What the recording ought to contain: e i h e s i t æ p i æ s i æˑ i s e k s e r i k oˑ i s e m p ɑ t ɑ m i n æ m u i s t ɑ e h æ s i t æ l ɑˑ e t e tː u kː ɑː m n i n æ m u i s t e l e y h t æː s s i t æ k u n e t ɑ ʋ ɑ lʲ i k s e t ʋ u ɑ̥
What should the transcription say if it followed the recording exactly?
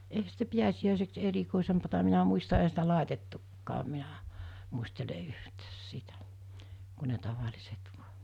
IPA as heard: e i h æ s i t æ p i æ s i æˑ i s e k s e r i k oˑ i s e m p ɑ t ɑ m i n æ m u i s t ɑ e h æ s i t æ l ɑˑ e t e tː u kː ɑː m m i n æ m u i s t e l e y h t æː s s i t æ k u n e t ɑ ʋ ɑ lʲ i s e t ʋ u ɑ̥

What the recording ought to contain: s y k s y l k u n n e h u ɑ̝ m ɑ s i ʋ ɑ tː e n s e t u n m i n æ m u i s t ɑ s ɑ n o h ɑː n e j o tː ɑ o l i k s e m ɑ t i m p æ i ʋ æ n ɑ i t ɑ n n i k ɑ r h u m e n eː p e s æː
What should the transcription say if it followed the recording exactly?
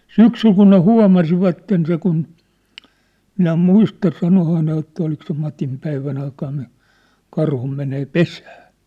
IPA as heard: s y k s y l k u n n e h u ɑ̝ m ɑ s i ʋ ɑ tː e n s e k u n m i n æ m u i s t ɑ s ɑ n o h ɑː n e j o tː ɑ o l i k s e m ɑ t i m p æ i ʋ æ n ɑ i k ɑ n n i k ɑ r h u m e n eː p e s æː

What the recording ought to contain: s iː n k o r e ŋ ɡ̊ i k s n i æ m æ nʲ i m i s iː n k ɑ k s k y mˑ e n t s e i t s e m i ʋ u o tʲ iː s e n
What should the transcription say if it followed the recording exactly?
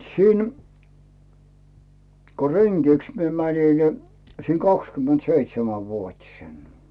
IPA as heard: s iː n k o r e ŋ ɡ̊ i k s m i e m æ nʲ i n i s iː n k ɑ k s k y mˑ e n t s e i t s e m æ ʋ u o tʲ i s e n

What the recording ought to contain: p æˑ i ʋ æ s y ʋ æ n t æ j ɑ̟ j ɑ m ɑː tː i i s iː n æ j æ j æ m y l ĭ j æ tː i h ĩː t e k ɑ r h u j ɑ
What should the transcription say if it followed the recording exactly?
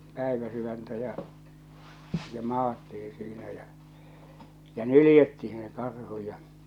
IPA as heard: p æˑ i ʋ æ s y ʋ æ n t æ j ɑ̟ j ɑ m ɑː tː i i s iː n æ j æ j æ n y l ĭ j e tː i h ĩː s e k ɑ r h u j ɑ

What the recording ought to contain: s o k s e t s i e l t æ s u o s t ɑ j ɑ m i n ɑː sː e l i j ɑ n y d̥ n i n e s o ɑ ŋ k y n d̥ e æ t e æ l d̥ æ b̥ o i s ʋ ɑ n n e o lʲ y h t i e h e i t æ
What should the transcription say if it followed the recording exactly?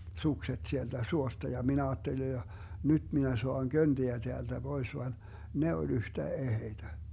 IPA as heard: s u k s e t s i e l t æ s u o s t ɑ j ɑ m i n ɑː tː e l i j ɑ n y d̥ m i n æ s o ɑ ŋ k ø n d̥ i æ t e æ l d̥ æ b̥ o i s ʋ ɑ n n e o lʲ y h t æ e h e i t æ

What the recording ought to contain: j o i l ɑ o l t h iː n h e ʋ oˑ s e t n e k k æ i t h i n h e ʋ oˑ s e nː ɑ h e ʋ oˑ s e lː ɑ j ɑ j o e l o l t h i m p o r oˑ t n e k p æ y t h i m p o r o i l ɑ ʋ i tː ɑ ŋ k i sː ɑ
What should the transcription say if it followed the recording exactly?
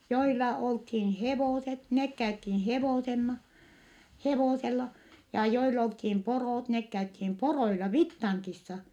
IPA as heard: j o i l ɑ o l t h iː n h e ʋ oˑ s e t n e k k æ y t h i n h e ʋ oˑ s e nː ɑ h e ʋ oˑ s e lː ɑ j ɑ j o i l o l t h i m p o r oˑ t n e k k æ y t h i m p o r o i l ɑ ʋ i tː ɑ ŋ k i sː ɑ

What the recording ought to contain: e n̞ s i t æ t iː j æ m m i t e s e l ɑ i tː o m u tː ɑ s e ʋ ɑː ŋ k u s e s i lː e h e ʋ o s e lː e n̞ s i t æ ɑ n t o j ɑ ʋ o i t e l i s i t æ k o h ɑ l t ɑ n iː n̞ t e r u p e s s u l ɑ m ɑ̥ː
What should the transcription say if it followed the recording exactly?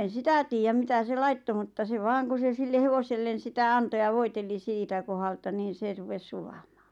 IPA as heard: e n̞ s i t æ t iː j æ m m i t æ s e l ɑ i tː o m u tː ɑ s e ʋ ɑː ŋ k u s e s i lː e h e ʋ o s e lː e n̞ s i t æ ɑ n t o j ɑ ʋ o i t e l i s iː t æ k o h ɑ l t ɑ n iː n̞ s e r u p e s s u l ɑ m ɑ̥ː

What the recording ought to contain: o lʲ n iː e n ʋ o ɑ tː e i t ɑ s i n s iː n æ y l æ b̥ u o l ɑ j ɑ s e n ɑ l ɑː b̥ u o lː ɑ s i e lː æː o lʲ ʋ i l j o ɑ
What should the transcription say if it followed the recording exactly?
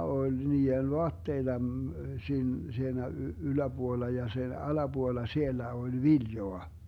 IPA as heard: o lʲ n iː e n ʋ o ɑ tː e i t ɑ s iː n s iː n æ y l æ b̥ u o lː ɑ j ɑ s e n ɑ l ɑ b̥ u o lː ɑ s i e lː æ o lʲ ʋ i l j o ɑ

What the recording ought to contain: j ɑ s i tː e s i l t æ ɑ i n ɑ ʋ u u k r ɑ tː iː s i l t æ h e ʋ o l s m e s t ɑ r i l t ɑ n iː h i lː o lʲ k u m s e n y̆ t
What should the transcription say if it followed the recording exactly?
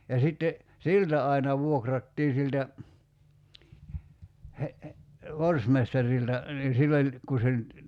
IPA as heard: j ɑ s i tː e s i l t æ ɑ i n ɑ ʋ u o k r ɑ tː iː s i l t æ h e ʋ o r s m e s t ɑ r i l t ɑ n iː s i lː o lʲ k u s e n y̆ t

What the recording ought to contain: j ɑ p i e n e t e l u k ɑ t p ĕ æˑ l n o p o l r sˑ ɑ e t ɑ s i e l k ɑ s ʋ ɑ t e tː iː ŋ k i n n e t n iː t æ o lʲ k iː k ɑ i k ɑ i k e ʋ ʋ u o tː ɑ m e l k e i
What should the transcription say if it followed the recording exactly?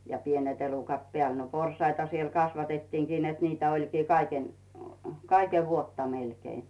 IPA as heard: j ɑ p i e n e t e l u k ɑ t p ĕ æˑ l n o p o r sˑ ɑ i t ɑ s i e l k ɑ s ʋ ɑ t e tː iː ŋ k i n n e t n iː t æ o lʲ k iː k ɑ i k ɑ i k e ʋ ʋ u o tː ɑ m e l k e i

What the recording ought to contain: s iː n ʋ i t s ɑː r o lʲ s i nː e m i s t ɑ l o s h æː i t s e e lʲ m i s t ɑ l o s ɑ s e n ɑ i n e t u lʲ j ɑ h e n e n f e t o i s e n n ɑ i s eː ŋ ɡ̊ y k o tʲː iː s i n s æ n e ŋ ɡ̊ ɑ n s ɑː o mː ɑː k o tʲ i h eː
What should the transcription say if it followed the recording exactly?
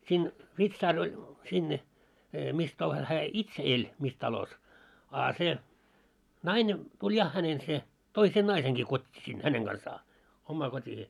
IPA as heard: s iː n ʋ i t s ɑː r o lʲ s i nː e m i s t ɑ l o s h æː i t s e e lʲ m i s t ɑ l o s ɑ s e n ɑ i n e t u lʲ j ɑ h æ n e n s e t o i s e n n ɑ i s e ŋ ɡ̊ i k o tʲː iː s i n h æ n e ŋ ɡ̊ ɑ n s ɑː o mː ɑː k o tʲ i h eː

